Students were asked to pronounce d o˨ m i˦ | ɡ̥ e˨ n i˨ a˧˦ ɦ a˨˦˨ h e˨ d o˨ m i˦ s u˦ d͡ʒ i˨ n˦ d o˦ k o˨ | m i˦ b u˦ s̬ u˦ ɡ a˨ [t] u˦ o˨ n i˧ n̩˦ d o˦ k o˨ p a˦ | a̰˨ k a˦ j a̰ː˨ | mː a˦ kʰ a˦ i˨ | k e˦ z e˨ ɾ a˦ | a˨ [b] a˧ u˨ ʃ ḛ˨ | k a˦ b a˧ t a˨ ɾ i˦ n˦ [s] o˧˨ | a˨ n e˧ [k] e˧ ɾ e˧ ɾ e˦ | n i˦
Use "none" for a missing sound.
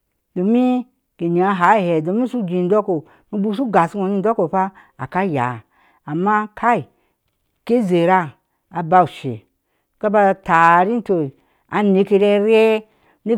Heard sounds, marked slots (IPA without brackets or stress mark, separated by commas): s, b, t, k